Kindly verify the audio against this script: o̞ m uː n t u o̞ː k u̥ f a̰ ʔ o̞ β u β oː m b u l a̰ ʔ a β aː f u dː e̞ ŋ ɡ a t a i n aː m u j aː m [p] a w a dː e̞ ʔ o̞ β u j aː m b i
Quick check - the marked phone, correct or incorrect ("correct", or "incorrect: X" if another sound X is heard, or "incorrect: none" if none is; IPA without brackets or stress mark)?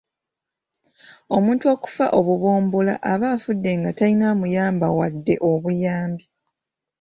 incorrect: b